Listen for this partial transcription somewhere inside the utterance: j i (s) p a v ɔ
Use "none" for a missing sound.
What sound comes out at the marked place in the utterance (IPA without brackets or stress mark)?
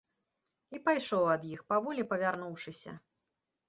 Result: x